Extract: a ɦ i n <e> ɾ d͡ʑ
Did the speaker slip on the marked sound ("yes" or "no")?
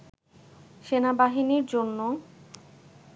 yes